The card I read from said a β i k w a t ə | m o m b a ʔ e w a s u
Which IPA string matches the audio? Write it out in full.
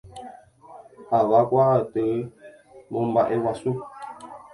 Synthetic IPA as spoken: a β a k w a t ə | m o m b a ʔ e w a s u